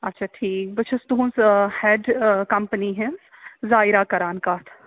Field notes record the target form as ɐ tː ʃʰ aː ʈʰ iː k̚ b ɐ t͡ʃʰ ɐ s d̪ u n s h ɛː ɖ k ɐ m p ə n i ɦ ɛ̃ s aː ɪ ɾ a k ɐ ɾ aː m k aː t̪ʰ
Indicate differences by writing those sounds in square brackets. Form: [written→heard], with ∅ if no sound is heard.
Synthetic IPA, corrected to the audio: ɐ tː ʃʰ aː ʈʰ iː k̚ b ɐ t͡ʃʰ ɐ s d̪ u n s h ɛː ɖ k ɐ m p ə n i ɦ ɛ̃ [s→z] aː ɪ ɾ a k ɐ ɾ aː [m→n] k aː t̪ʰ